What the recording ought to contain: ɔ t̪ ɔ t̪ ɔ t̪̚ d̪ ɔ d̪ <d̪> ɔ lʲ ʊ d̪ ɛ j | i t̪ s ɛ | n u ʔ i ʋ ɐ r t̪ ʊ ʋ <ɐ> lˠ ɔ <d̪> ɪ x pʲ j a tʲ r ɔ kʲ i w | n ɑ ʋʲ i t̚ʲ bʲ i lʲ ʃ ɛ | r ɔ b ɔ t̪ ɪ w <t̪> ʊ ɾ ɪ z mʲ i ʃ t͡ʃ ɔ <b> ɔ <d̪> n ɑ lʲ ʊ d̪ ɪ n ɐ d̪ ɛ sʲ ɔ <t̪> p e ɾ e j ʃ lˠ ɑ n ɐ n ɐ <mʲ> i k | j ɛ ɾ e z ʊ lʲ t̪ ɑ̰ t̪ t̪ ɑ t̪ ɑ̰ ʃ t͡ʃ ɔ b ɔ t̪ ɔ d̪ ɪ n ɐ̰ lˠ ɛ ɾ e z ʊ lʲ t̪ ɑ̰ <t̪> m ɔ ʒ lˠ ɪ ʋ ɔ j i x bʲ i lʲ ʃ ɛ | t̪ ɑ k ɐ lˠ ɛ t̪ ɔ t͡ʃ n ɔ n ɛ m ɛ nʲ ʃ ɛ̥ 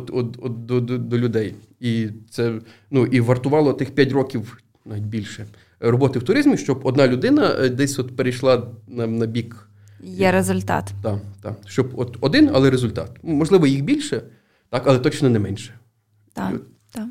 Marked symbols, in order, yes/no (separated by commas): yes, no, no, yes, yes, yes, yes, no, yes